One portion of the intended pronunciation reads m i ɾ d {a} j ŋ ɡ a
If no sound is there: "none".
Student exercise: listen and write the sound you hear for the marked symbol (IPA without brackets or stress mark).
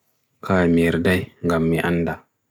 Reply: a